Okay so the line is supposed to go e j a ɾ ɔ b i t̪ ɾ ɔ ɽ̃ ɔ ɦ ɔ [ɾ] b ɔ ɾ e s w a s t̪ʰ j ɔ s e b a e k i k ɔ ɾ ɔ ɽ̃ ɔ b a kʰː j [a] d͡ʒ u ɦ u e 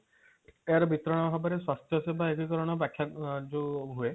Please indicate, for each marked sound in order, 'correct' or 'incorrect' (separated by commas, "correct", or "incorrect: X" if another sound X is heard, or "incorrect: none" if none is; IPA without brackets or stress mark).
incorrect: none, correct